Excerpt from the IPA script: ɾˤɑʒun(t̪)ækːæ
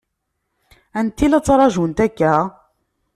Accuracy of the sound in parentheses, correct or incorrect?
correct